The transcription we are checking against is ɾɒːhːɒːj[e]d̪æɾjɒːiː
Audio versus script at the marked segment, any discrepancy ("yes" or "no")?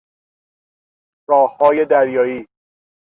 no